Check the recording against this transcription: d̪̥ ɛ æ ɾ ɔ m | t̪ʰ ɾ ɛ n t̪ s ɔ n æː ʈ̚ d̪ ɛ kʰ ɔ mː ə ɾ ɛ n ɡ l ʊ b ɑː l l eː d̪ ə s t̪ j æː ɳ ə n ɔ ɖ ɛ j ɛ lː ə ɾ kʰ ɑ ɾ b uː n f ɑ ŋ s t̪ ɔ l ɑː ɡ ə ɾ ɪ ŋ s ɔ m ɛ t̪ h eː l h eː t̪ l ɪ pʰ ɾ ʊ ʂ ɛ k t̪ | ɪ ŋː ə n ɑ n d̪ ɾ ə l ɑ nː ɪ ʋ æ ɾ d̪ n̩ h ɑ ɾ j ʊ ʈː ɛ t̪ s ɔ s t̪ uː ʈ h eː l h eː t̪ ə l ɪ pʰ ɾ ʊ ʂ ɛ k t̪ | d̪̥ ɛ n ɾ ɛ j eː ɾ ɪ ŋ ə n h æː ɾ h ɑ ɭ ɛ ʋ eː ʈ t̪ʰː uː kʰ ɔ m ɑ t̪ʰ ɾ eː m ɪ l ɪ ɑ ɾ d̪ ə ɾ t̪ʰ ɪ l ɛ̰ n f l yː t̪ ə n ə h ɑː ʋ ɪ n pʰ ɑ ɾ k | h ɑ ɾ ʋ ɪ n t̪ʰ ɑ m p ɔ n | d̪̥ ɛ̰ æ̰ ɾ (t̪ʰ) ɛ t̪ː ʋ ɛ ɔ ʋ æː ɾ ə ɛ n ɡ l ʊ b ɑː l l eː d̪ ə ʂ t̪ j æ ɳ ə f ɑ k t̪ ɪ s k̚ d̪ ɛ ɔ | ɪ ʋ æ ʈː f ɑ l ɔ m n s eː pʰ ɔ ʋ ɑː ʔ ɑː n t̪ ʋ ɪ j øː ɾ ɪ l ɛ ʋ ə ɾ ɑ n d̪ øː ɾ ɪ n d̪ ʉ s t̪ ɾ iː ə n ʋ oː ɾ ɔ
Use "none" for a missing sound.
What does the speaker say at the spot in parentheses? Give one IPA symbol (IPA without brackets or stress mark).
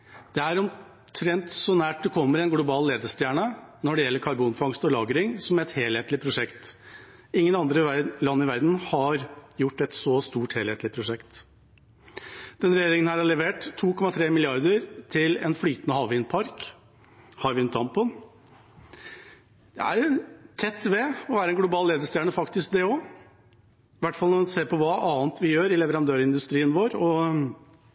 t̪ʰ